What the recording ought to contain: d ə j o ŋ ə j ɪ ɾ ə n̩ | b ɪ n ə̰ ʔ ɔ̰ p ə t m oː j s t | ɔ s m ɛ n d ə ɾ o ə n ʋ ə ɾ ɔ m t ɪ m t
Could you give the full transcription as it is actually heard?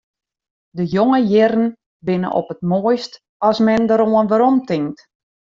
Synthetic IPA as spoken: d ə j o ŋ ə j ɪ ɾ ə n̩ | b ɪ n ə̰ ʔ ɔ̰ p ə t m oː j s t | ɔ s m ɛ n d ə ɾ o ə n ʋ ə ɾ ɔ m t ɪ ŋ t